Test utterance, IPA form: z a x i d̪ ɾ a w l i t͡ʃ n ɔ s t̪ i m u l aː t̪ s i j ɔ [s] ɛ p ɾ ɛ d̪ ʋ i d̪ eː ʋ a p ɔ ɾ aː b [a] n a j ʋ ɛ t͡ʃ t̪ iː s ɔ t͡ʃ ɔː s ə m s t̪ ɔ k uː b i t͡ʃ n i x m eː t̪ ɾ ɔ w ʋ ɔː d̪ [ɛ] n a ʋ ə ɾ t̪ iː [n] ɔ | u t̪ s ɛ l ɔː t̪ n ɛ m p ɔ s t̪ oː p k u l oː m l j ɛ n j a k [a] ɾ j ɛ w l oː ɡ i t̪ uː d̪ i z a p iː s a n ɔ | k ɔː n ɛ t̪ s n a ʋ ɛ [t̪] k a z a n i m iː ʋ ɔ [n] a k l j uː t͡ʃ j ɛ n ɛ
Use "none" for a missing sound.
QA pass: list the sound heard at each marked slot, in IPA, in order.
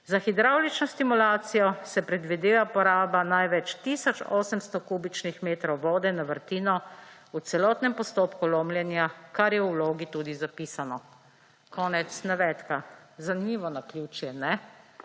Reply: s, a, ɛ, n, a, t̪, n

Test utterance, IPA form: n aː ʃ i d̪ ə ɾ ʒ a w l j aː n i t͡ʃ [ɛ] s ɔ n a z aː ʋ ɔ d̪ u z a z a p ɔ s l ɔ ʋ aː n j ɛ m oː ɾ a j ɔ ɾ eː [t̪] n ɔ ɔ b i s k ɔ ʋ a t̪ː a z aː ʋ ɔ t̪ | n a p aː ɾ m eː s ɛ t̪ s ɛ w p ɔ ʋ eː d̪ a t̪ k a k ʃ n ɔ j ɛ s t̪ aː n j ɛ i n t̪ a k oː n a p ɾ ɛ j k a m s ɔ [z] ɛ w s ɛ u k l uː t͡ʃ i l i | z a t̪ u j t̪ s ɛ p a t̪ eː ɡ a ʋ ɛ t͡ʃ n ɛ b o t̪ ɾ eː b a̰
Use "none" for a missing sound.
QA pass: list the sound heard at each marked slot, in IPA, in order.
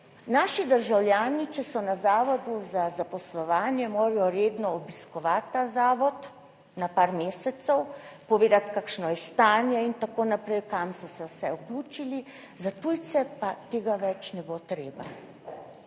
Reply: ɛ, d̪, s

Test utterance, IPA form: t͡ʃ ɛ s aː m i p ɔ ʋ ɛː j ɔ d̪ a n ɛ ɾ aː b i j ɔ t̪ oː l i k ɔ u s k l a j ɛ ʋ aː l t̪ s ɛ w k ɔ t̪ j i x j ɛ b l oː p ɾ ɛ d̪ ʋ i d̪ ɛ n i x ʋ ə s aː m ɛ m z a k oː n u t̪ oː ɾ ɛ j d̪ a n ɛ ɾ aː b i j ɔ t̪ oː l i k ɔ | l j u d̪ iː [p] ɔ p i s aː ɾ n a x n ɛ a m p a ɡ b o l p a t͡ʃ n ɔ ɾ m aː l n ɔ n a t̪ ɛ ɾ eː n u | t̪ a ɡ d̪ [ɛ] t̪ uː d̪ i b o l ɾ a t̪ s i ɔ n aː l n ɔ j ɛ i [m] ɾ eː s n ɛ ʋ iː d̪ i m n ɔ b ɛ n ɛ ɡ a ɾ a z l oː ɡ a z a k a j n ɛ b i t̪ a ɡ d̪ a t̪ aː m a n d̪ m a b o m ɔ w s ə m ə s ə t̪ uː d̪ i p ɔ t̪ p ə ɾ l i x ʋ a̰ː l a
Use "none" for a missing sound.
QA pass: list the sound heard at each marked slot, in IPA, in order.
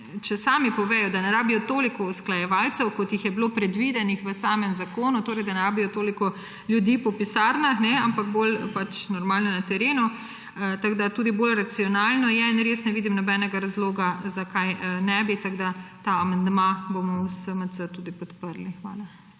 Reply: p, a, n

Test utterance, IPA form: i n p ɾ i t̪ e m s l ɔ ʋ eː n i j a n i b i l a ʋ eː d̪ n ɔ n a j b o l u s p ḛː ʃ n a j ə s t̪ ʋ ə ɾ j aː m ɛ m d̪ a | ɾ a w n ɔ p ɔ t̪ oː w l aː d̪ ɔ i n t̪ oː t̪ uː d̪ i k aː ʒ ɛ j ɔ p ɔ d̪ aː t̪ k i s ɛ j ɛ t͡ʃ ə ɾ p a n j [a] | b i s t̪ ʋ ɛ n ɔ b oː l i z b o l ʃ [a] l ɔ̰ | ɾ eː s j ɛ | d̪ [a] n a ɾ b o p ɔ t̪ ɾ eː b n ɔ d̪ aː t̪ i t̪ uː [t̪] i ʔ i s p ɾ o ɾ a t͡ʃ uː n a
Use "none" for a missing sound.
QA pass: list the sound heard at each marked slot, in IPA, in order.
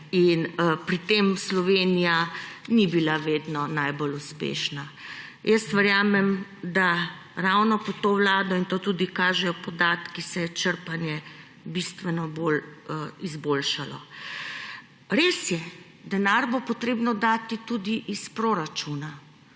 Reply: ɛ, a, ɛ, d̪

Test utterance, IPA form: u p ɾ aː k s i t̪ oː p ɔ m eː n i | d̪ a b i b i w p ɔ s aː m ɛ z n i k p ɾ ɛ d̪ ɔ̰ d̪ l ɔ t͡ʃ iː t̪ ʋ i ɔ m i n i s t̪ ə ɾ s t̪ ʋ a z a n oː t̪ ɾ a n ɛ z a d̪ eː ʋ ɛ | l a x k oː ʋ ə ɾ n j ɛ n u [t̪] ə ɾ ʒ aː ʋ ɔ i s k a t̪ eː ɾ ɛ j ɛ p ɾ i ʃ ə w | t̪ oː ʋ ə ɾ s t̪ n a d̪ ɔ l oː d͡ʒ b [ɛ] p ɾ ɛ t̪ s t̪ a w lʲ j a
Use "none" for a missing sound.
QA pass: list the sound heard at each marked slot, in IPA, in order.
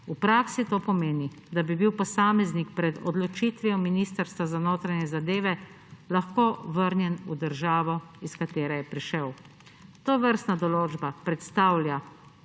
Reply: d̪, a

